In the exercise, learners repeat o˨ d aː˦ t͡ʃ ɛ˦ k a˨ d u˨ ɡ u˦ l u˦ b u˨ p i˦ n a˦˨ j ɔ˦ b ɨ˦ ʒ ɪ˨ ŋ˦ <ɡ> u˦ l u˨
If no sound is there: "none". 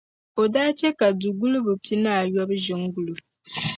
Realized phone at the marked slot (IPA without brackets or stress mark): ɡ